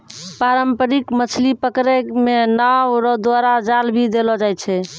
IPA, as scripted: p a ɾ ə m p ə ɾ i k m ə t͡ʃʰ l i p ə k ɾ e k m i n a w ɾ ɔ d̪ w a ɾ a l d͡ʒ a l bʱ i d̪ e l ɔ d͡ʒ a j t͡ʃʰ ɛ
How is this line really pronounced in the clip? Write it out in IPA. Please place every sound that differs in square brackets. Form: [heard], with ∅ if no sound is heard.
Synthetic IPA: p a ɾ ə m p ə ɾ i k m ə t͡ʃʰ l i p ə k ɾ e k m [e] n a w ɾ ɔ d̪ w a ɾ a [∅] d͡ʒ a l bʱ i d̪ e l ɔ d͡ʒ a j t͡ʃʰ ɛ